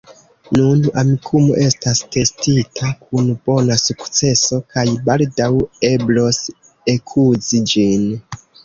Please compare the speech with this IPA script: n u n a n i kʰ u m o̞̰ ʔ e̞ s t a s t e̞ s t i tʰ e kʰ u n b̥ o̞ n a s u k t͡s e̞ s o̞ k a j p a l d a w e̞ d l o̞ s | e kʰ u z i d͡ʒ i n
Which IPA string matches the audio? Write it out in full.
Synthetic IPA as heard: n u n a m i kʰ u m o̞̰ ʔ e̞ s t a s t e̞ s t i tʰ a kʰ u n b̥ o̞ n a s u k t͡s e̞ s o̞ k a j b a l d a w e̞ b l o̞ s | e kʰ u z i d͡ʒ i n